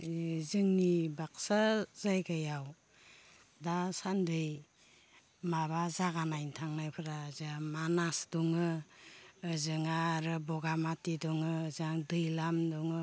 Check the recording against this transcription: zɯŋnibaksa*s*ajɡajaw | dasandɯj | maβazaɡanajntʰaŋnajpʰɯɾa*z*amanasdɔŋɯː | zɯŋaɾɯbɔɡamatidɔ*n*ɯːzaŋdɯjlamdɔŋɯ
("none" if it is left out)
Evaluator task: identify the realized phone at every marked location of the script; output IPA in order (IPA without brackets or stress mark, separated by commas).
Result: z, z, ŋ